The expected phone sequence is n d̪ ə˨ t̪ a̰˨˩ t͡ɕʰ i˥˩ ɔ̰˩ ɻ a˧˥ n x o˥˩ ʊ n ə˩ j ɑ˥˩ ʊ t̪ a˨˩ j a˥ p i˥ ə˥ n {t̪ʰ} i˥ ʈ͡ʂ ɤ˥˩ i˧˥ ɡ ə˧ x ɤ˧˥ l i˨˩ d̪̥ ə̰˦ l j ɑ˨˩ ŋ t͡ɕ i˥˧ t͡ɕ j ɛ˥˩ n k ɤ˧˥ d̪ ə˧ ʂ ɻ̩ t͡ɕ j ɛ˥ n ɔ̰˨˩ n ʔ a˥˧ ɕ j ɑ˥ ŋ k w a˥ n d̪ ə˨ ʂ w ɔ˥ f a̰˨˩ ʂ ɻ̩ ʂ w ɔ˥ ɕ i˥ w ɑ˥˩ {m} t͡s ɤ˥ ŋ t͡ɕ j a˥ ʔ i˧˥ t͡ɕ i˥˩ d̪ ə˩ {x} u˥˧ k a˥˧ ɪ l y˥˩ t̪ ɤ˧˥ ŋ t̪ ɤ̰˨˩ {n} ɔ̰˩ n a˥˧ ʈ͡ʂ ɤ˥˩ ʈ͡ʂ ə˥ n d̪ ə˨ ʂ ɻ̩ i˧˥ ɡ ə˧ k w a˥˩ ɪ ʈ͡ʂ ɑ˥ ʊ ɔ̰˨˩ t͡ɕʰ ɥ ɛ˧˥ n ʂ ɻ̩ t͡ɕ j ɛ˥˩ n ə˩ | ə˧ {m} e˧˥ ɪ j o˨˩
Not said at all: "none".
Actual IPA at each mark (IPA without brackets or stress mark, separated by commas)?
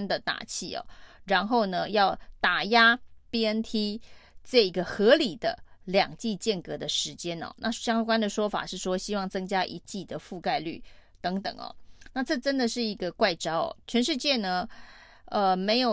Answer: t̪ʰ, ŋ, f, ŋ, m